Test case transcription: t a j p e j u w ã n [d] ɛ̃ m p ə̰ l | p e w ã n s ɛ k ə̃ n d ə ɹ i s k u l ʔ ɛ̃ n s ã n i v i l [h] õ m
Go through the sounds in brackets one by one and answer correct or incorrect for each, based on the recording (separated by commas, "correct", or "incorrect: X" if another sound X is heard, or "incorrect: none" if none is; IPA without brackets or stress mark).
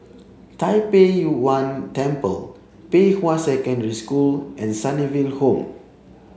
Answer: incorrect: t, correct